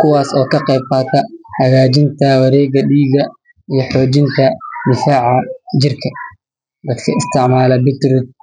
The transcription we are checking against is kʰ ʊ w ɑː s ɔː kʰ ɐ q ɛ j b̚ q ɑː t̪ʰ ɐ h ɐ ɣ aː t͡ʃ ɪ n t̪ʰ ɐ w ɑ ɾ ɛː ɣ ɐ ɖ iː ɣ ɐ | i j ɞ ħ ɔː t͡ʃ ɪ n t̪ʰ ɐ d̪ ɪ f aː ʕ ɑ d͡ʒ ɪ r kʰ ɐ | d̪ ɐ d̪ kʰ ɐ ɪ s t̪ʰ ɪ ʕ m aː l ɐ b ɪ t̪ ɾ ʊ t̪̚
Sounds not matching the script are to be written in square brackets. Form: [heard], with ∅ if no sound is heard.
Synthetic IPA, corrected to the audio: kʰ ʊ w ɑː s ɔː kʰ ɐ q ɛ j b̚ q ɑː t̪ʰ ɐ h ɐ ɣ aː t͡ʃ ɪ n t̪ʰ ɐ w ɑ ɾ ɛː ɣ ɐ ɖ iː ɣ ɐ | i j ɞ ħ ɔː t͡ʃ ɪ n t̪ʰ ɐ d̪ ɪ f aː ʕ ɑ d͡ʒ ɪ r kʰ ɐ | d̪ ɐ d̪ kʰ ɐ ɪ s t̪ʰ ɪ ʕ m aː l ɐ b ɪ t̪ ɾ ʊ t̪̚